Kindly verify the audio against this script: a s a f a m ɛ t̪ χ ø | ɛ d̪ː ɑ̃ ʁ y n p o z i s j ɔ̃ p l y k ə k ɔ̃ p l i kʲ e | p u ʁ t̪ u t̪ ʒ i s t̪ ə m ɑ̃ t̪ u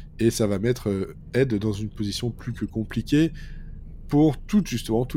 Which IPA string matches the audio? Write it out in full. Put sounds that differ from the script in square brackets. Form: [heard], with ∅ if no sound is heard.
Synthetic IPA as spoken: [e] s a [v] a m ɛ t̪ χ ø | ɛ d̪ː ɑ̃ [z] y n p o z i s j ɔ̃ p l y k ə k ɔ̃ p l i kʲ e | p u ʁ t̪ u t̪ ʒ [y] s t̪ ə m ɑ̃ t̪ u